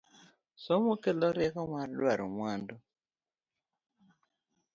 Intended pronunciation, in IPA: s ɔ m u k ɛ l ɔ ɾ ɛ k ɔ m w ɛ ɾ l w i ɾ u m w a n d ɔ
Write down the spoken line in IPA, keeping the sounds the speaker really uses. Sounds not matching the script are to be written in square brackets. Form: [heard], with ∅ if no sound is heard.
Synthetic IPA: s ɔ m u k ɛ l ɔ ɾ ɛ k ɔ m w [a] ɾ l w [a] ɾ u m w a n d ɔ

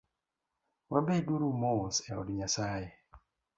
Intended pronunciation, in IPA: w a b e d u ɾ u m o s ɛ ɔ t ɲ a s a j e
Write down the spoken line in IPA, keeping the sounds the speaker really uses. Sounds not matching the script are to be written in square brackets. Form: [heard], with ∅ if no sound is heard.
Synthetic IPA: w a b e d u ɾ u m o s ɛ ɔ [d] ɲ a s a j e

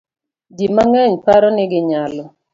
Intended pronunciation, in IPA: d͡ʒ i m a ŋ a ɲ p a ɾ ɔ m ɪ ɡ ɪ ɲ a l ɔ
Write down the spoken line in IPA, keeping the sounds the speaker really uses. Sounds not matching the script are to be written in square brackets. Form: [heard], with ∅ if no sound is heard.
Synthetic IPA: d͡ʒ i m a ŋ [ɛ] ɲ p a ɾ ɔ [n] ɪ ɡ ɪ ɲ a l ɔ

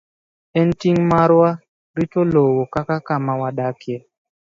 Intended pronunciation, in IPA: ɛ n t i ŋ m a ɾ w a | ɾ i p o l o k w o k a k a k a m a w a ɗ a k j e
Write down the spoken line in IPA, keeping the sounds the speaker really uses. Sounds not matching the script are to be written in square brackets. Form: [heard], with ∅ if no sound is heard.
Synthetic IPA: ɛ n t i ŋ m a ɾ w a | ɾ i [t] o l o [∅] w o k a k a k a m a w a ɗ a k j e

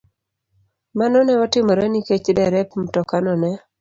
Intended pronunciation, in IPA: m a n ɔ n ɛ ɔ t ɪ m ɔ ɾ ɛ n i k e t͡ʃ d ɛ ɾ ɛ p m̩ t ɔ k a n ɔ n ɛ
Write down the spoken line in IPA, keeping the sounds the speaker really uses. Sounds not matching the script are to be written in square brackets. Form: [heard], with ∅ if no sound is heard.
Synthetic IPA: m a n ɔ n ɛ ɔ t ɪ m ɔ ɾ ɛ n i k e t͡ʃ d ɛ ɾ ɛ p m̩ t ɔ k a n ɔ n ɛ

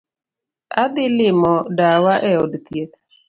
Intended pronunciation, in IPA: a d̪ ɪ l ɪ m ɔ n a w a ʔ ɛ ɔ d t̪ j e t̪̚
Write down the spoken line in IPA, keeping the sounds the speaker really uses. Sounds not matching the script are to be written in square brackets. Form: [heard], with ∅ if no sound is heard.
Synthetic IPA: a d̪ ɪ l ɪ m ɔ [d] a w a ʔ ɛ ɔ d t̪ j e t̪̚

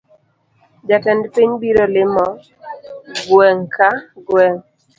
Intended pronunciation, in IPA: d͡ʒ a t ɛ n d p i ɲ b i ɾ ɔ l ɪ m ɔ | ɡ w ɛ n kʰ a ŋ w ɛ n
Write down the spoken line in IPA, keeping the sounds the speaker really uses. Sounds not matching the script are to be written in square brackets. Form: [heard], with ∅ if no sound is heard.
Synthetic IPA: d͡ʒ a t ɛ n d p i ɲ b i ɾ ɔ l ɪ m ɔ | ɡ w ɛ [ŋ] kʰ a [ɡ] w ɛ [ŋ]

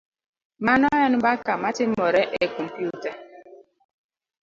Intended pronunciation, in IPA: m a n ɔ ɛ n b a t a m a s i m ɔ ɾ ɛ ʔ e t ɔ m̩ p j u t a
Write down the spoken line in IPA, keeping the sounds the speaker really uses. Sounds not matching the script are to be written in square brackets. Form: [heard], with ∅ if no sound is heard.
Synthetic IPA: m a n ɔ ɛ n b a [k] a m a [t] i m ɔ ɾ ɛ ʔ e [k] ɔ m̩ p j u t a

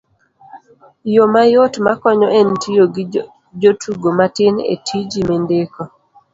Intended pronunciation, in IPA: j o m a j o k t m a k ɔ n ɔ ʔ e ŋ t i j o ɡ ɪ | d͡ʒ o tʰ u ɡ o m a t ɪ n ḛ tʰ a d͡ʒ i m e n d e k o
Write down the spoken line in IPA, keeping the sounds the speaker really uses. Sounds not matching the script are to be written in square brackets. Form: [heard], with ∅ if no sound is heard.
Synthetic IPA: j o m a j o [∅] t m a k ɔ [ɲ] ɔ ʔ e [n] t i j o ɡ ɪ | d͡ʒ o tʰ u ɡ o m a t ɪ n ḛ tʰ [i] d͡ʒ i m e n d e k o

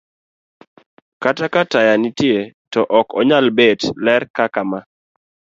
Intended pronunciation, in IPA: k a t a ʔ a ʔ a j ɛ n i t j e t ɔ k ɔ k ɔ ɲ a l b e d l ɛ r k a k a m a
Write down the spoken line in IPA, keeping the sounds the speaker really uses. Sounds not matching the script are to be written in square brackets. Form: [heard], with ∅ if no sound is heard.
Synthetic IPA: k a t a [k] a [t] a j [a] n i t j e t ɔ [ʔ] ɔ k ɔ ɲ a l b e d l ɛ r k a k a m a

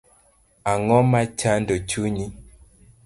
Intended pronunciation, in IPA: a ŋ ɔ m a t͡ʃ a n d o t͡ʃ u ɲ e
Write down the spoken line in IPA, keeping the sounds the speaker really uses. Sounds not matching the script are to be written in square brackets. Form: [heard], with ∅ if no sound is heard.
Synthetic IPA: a ŋ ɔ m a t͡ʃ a n d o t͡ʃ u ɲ [i]

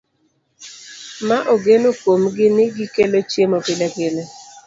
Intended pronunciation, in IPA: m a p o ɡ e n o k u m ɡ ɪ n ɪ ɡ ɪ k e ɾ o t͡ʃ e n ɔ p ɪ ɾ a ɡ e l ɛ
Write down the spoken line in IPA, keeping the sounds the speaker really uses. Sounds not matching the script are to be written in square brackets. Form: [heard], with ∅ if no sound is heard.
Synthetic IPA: m a [ʔ] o ɡ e n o k [o] m ɡ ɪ n ɪ ɡ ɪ k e [l] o t͡ʃ e [m] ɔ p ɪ [l] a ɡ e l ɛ

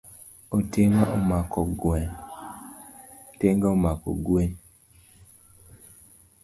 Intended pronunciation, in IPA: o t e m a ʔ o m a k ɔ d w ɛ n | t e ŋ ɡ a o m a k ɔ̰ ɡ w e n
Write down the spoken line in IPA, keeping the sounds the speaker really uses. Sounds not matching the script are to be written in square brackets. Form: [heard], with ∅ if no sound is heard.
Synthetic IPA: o t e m a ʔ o m a k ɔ [ɡ] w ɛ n | t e ŋ ɡ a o m a k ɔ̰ ɡ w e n

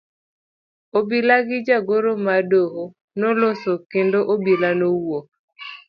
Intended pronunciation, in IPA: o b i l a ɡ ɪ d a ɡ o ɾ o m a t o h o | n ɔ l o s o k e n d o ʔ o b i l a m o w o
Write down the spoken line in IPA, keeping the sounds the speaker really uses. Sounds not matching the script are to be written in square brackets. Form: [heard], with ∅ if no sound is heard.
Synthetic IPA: o b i l a ɡ ɪ [d͡ʒ] a ɡ o ɾ o m a [d] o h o | n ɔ l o s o k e n d o ʔ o b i l a [n] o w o

